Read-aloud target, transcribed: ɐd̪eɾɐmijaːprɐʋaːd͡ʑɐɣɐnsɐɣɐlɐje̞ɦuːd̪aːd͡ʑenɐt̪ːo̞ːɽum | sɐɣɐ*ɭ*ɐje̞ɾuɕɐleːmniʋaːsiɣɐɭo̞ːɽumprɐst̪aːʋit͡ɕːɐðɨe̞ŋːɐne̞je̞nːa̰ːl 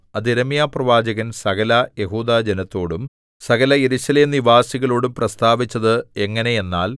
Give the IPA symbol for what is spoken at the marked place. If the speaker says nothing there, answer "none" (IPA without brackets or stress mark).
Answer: l